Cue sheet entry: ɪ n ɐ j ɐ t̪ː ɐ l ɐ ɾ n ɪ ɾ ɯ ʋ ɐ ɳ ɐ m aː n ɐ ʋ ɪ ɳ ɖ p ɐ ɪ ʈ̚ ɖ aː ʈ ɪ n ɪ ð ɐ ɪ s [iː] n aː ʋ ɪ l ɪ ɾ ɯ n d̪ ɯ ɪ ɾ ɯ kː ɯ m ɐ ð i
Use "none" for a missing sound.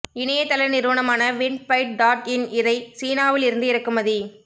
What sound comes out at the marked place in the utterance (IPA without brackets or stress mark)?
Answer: iː